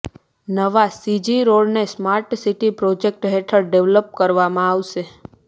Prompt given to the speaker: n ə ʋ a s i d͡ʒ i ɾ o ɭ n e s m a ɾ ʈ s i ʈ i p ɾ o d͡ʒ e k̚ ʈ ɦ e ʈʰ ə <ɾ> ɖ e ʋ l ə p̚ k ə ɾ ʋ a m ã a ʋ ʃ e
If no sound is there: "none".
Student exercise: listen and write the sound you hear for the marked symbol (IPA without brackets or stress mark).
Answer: ɾ